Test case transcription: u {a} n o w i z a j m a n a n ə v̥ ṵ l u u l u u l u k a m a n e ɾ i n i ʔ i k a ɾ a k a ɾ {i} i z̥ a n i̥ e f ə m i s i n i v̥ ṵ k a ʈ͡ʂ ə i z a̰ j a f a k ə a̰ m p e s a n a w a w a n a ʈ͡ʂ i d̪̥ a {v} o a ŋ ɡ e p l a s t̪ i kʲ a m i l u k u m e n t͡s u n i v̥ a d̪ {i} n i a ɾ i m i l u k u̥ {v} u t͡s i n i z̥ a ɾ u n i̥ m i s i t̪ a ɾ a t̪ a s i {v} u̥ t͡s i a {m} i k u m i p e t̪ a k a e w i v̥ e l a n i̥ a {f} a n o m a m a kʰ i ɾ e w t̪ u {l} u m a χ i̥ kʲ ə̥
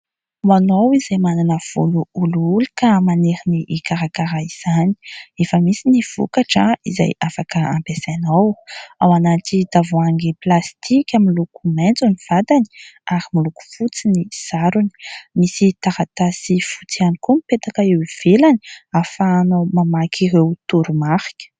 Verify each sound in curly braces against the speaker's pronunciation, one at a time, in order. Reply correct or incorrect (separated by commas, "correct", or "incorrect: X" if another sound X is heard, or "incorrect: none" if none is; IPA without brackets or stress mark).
correct, incorrect: a, correct, incorrect: a, incorrect: f, incorrect: f, incorrect: n, correct, incorrect: ɾ